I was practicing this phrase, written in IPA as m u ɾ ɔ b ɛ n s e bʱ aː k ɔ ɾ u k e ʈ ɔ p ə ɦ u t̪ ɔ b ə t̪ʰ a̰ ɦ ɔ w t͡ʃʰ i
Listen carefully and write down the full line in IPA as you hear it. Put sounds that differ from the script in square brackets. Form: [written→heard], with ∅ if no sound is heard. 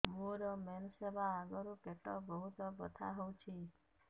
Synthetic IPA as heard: m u ɾ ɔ [b→m] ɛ n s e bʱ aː [k→ɡ] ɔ ɾ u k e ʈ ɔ [p→b] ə ɦ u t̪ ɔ b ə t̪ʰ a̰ ɦ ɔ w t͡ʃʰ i